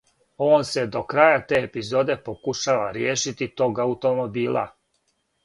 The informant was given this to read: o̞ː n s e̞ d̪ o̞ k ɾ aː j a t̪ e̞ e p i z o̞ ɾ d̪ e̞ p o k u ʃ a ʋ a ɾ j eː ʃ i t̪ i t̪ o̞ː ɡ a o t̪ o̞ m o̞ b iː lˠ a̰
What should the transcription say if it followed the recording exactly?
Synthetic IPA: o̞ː n s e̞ d̪ o̞ k ɾ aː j a t̪ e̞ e p i z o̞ d̪ e̞ p o k u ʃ a ʋ a ɾ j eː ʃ i t̪ i t̪ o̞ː ɡ a u t̪ o̞ m o̞ b iː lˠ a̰